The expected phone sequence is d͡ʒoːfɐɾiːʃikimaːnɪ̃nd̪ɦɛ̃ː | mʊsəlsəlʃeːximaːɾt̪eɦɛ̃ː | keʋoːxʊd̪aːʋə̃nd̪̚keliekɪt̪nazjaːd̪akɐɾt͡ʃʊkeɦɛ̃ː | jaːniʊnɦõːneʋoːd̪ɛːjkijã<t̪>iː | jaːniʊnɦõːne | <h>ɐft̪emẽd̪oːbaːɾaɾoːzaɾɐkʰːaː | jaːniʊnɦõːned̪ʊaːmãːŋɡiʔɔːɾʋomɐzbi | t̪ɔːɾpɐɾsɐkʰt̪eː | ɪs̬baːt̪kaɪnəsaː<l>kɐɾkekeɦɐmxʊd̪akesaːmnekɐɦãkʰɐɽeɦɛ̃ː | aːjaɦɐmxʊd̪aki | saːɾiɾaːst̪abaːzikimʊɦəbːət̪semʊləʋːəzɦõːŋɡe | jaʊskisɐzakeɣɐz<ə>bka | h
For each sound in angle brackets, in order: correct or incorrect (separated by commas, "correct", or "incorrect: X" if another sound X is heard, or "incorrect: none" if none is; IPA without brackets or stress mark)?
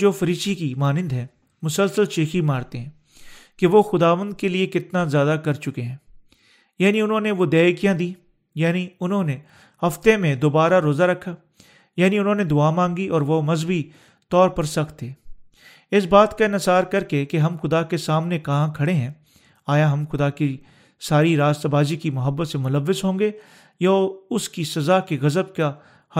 incorrect: d̪, correct, incorrect: ɾ, correct